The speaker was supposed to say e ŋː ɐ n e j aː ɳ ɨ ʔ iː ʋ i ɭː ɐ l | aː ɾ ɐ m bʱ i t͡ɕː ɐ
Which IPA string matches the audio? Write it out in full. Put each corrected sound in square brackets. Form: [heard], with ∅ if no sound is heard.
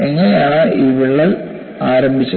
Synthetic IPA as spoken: e ŋː ɐ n e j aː ɳ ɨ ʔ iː ʋ i ɭː ɐ l | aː ɾ ɐ m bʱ i t͡ɕː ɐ